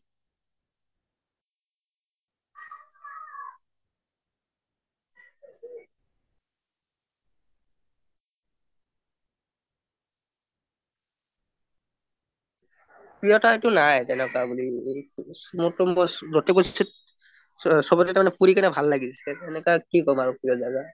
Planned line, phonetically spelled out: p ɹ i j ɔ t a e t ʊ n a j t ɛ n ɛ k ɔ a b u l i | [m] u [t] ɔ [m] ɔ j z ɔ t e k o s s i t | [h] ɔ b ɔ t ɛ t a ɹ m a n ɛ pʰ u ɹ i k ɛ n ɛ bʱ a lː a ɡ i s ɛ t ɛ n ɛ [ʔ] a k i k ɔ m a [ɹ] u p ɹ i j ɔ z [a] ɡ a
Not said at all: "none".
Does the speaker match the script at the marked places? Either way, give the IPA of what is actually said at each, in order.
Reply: m, t, m, s, k, ɹ, a

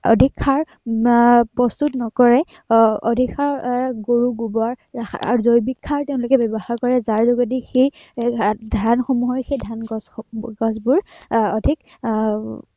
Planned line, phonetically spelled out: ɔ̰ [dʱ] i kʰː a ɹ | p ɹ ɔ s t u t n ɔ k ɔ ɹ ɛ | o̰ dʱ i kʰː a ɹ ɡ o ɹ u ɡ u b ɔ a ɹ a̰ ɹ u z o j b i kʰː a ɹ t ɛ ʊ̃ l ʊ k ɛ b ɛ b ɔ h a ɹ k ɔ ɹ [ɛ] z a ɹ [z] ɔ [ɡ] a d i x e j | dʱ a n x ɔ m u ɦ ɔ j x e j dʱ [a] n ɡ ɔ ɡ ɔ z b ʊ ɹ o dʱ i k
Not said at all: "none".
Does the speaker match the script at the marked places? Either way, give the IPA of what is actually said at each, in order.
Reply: dʱ, ɛ, z, ɡ, a

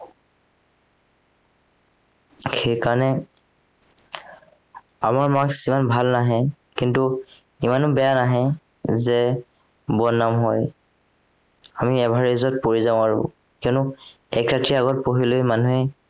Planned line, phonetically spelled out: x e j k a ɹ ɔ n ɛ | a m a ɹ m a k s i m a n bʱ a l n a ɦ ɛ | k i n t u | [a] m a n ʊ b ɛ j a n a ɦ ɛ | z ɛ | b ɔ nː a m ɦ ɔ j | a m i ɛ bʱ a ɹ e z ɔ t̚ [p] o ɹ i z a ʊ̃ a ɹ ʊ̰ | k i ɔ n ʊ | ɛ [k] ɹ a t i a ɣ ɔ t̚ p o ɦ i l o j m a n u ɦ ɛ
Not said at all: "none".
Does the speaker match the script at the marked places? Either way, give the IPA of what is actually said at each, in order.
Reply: i, p, k

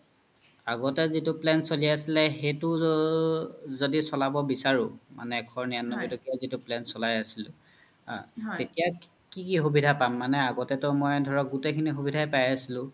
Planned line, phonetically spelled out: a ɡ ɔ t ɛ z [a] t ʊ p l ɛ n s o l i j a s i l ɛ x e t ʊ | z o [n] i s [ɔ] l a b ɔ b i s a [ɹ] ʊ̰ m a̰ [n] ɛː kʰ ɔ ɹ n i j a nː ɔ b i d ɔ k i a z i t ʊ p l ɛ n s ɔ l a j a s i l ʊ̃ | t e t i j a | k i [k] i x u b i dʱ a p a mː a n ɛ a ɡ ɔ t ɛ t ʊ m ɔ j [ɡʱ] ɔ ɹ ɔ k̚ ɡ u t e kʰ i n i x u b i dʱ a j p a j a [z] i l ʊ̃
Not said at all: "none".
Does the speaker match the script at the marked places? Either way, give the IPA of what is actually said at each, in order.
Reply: i, d, ɔ, ɹ, n, k, dʱ, s

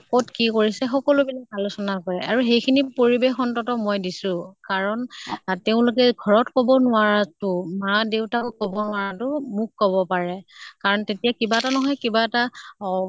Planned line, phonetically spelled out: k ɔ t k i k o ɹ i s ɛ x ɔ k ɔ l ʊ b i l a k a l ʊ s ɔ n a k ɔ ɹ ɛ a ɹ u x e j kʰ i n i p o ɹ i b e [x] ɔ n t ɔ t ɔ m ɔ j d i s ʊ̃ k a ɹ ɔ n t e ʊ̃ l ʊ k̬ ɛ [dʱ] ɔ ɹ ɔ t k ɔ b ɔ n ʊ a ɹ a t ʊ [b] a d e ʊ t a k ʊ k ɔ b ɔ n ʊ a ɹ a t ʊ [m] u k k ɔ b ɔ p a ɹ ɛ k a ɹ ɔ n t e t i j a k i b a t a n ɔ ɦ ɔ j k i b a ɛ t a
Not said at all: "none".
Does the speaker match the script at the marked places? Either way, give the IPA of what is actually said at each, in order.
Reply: x, ɡʱ, m, m

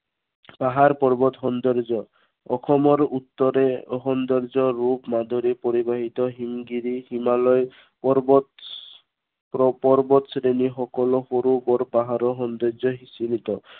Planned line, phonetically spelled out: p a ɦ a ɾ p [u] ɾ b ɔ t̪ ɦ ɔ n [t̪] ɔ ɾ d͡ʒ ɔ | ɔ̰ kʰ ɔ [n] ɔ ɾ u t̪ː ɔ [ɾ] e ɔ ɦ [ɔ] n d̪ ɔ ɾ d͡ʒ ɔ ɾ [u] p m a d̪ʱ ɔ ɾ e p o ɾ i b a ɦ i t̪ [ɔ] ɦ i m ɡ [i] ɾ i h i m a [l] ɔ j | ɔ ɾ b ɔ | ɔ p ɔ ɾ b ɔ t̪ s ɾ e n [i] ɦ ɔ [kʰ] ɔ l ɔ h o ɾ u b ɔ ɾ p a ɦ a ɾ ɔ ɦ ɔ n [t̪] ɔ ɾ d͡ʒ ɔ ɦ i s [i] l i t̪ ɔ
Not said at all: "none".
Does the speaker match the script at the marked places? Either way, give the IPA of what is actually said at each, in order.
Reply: ɔ, d̪, m, ɾ, ɔ, u, ɔ, i, l, i, k, d̪, i

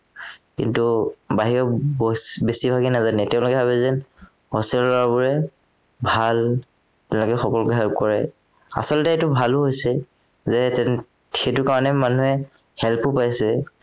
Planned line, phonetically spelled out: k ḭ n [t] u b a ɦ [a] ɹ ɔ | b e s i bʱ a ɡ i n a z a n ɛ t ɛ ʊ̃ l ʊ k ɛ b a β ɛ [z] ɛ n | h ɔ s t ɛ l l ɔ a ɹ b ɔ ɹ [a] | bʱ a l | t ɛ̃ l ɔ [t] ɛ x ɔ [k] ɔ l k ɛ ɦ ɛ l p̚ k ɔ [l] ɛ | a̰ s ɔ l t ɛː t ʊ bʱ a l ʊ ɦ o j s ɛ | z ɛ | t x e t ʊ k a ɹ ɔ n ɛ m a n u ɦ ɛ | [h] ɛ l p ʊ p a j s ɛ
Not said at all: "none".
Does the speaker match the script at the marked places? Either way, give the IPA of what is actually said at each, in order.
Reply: t, i, z, ɛ, k, k, ɹ, h

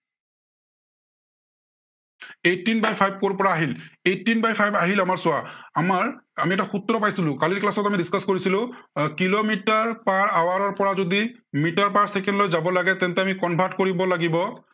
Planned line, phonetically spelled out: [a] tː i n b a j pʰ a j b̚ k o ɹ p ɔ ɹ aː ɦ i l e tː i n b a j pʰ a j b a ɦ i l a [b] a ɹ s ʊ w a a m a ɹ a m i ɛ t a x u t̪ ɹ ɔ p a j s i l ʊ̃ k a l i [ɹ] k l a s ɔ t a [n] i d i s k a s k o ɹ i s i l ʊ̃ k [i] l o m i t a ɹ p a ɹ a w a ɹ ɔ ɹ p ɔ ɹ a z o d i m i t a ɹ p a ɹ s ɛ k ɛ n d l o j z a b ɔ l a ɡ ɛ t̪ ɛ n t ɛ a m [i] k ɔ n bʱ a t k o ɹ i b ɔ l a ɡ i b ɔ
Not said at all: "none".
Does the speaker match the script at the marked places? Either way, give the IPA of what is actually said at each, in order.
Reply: e, m, ɹ, m, i, i

